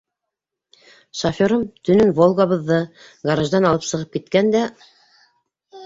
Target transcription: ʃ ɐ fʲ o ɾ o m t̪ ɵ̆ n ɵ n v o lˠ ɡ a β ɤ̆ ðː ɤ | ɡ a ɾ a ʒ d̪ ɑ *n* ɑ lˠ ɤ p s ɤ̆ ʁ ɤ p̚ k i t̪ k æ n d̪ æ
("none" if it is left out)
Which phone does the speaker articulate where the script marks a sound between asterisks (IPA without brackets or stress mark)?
n